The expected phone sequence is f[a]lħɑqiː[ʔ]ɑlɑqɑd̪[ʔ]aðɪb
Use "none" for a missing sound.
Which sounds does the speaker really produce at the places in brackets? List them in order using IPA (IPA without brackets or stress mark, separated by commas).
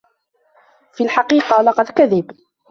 i, q, k